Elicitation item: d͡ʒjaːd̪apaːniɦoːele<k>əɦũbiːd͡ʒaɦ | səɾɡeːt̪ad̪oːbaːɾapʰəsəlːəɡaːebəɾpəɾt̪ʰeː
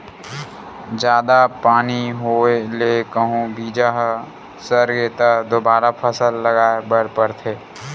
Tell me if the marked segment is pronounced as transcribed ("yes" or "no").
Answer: yes